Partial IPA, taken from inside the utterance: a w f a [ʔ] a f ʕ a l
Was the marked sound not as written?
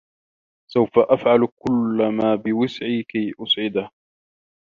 no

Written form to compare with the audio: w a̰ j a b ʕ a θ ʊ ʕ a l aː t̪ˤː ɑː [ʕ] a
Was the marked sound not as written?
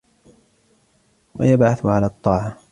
no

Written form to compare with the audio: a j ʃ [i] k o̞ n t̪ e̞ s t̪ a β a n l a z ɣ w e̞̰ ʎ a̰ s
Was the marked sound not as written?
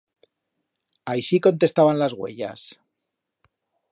no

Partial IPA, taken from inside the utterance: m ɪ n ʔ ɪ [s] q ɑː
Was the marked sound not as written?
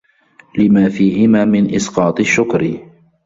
no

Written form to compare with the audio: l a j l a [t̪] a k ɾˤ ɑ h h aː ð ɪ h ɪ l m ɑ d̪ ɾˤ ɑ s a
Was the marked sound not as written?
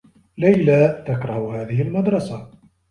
no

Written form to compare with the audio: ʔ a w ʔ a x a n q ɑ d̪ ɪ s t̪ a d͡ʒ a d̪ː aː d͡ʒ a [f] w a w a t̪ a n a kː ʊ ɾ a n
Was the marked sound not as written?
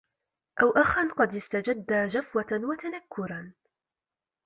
no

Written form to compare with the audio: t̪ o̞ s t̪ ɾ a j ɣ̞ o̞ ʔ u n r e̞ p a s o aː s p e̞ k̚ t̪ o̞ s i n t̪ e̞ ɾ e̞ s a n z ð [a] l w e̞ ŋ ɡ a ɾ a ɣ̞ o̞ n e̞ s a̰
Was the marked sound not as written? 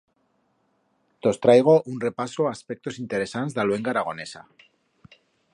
no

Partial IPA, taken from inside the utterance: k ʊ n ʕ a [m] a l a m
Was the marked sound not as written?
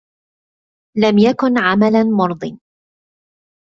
no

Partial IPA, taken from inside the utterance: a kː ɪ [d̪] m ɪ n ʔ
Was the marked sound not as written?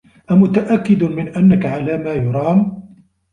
no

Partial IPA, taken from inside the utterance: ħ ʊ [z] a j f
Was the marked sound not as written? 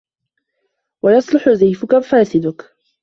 no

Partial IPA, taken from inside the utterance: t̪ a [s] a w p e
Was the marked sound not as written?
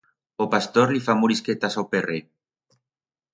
no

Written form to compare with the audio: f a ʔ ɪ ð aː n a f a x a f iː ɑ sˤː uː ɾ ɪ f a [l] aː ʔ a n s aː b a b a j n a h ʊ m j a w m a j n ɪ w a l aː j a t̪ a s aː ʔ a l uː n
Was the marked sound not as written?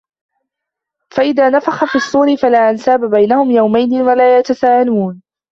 no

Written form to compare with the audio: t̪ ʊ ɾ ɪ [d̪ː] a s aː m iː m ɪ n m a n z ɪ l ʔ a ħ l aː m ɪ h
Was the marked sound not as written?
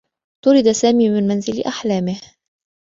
yes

